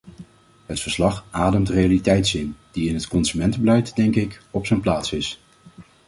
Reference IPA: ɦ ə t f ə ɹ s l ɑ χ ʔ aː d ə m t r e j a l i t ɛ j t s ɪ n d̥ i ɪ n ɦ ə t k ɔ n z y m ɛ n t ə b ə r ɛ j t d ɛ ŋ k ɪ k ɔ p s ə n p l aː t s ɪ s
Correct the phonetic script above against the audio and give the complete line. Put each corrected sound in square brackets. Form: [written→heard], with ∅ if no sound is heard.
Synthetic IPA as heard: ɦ ə t f ə ɹ s l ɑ χ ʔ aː d ə m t r e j a l i t ɛ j t s ɪ n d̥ i ɪ n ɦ ə t k ɔ n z y m ɛ n t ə b ə [r→l] ɛ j t d ɛ ŋ k ɪ k ɔ p s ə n p l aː t s ɪ s